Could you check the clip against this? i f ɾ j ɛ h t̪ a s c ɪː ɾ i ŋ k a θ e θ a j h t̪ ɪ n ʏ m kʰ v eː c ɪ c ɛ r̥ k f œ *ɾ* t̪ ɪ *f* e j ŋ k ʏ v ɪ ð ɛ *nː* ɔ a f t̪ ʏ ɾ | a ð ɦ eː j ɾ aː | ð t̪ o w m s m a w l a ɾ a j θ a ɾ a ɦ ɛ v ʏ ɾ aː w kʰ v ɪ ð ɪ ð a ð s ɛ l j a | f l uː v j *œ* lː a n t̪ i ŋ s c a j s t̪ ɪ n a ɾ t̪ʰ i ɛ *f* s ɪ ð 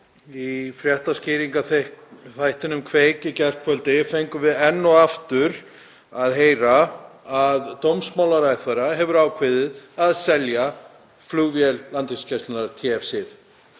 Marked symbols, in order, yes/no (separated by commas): no, yes, yes, no, yes